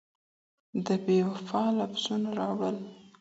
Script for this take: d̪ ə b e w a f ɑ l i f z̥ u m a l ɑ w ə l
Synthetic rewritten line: d̪ ə b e w a f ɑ l a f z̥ u n a ɾ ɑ w ə l